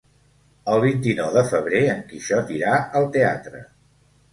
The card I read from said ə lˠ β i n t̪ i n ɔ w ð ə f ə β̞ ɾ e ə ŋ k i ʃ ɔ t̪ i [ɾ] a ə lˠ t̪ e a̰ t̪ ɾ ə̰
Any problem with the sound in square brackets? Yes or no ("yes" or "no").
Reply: no